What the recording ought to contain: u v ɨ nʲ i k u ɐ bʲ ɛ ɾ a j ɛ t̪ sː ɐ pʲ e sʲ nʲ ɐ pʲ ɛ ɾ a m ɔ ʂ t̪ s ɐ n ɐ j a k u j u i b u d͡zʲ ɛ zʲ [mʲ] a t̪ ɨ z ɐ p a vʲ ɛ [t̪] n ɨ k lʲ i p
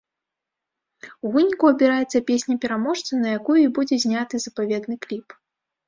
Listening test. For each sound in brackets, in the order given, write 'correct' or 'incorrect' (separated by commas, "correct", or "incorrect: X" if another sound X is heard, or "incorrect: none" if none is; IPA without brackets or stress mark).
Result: incorrect: nʲ, incorrect: d̪